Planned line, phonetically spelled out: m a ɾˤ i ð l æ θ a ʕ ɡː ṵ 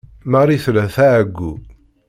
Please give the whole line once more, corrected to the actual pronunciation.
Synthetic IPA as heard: m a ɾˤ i θ l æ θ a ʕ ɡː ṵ

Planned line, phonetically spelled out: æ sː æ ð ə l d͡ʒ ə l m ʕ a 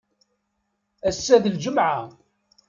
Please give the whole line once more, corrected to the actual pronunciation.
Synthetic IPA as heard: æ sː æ ð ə l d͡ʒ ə m ʕ a

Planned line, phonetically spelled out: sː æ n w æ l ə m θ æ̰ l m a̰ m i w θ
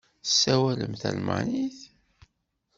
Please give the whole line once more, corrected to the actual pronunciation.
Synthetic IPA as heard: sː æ w æ l ə m θ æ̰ l m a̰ n i θ

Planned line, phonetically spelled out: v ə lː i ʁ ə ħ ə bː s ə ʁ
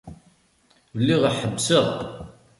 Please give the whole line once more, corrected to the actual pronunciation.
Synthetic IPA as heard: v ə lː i ʁ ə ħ ə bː s ə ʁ

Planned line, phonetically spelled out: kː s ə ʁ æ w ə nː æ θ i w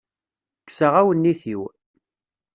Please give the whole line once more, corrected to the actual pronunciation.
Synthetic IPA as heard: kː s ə ʁ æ w ə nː i θ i w

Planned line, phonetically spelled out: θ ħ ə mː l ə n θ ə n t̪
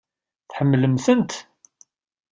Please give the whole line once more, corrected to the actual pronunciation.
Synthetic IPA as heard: θ ħ ə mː l ə m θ ə n t̪

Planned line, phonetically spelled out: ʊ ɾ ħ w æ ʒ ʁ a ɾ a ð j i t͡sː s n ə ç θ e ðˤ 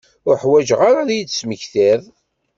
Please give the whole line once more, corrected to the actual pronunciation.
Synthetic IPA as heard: ʊ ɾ ħ w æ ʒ ʁ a ɾ a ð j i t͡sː s m ə ç θ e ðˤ

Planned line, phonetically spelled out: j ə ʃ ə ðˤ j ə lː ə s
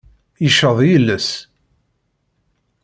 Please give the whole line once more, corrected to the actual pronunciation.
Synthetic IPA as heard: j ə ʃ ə ðˤ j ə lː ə s

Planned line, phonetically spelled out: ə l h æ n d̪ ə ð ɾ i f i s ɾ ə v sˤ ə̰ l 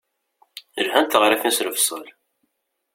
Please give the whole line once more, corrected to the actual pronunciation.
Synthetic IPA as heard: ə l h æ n t̪ ə ʁ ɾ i f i s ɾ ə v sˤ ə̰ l

